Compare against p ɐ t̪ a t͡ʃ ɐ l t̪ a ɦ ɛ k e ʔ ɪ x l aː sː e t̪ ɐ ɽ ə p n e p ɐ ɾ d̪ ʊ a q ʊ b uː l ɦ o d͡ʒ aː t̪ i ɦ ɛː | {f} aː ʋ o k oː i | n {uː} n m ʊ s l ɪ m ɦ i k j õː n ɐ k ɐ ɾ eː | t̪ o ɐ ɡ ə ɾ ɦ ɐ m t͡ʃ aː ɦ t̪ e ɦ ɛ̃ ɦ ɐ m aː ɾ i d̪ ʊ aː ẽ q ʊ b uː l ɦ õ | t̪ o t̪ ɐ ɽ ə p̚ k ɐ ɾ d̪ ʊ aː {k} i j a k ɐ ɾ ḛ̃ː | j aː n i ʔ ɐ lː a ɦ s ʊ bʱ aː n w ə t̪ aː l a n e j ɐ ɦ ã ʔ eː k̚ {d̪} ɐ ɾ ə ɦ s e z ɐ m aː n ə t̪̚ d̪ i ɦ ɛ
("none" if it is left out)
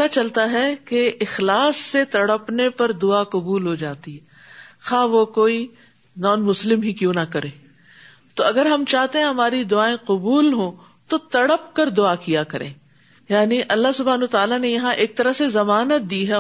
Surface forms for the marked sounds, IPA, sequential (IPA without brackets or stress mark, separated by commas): x, ɔː, k, t̪